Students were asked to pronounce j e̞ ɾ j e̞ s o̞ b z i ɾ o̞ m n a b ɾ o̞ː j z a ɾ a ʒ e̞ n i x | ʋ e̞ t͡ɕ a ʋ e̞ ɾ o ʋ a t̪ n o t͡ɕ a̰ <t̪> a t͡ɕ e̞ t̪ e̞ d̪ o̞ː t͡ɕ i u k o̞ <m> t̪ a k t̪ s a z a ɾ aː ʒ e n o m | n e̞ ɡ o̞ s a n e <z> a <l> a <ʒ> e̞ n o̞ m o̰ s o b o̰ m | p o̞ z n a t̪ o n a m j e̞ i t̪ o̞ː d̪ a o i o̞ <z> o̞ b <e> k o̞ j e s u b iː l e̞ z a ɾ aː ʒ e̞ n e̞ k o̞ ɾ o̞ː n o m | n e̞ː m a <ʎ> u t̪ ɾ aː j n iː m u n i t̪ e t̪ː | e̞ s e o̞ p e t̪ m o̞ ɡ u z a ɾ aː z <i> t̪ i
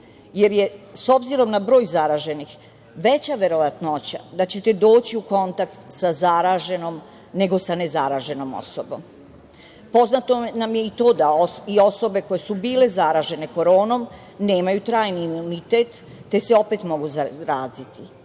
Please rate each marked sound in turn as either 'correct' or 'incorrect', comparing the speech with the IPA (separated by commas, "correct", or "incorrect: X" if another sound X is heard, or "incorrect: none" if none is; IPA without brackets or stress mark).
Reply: incorrect: d̪, incorrect: n, correct, incorrect: ɾ, correct, incorrect: s, correct, incorrect: j, correct